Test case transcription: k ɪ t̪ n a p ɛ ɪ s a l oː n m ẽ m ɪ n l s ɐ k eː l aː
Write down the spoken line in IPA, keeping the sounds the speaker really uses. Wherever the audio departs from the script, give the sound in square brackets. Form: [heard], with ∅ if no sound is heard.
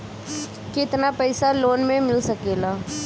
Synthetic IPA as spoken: k ɪ t̪ n a p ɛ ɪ s a l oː n m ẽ m ɪ [∅] l s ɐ k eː l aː